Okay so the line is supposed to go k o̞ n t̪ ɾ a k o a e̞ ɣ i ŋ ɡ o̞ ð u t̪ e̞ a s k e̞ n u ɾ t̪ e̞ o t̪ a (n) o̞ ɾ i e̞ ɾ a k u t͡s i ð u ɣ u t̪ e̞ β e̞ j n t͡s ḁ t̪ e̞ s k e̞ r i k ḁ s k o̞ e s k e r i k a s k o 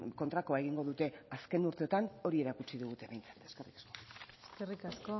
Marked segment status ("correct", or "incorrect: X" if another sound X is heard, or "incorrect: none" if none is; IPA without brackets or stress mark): correct